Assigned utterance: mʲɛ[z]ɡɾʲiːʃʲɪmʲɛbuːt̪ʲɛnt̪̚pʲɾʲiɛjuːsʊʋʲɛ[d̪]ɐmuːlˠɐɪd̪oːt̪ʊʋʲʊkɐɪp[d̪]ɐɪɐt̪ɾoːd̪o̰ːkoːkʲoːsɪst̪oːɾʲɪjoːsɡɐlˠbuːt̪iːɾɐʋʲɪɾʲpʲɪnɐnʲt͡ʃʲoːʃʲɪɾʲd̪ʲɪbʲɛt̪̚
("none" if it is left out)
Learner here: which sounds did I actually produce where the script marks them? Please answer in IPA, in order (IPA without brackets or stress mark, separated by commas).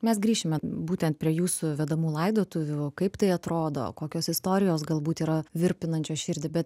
s, d̪, t̪